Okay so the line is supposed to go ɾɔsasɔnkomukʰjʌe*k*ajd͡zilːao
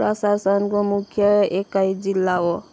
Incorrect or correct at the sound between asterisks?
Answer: correct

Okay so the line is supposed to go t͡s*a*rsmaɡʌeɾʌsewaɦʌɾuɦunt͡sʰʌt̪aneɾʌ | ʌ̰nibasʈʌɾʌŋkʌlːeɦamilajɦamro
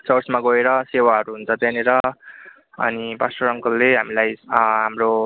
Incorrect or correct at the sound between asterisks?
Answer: incorrect: ʌ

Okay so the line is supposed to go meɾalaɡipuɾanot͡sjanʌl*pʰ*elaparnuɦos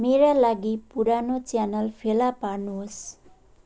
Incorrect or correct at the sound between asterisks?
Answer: correct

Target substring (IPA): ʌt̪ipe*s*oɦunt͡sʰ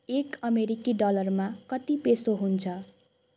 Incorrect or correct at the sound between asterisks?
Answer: correct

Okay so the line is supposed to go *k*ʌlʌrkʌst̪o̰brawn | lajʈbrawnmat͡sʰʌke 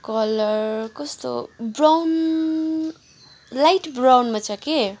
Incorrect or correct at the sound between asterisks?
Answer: correct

